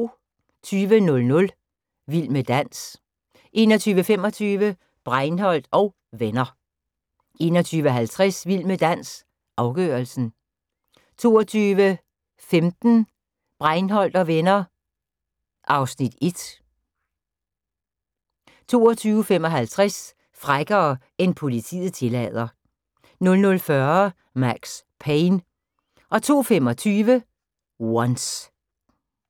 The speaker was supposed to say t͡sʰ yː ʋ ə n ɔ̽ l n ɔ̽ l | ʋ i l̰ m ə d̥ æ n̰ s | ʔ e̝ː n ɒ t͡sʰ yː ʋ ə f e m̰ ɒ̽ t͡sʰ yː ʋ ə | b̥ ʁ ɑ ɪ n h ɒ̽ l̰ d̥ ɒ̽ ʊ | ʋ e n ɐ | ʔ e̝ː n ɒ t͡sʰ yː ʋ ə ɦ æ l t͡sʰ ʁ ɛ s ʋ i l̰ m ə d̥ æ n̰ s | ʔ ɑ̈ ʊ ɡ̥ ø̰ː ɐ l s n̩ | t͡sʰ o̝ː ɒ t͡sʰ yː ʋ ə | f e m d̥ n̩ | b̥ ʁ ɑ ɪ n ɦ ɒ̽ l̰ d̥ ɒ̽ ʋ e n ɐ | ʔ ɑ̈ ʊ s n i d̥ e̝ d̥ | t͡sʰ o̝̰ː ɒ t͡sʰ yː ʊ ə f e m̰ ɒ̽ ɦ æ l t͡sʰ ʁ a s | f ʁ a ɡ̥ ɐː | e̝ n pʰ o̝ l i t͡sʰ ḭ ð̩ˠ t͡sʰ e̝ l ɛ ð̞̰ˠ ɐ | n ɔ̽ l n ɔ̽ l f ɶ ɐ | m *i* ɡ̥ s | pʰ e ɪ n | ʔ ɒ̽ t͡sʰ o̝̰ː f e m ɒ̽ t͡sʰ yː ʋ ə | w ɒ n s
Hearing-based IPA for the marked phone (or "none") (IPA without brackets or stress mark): æ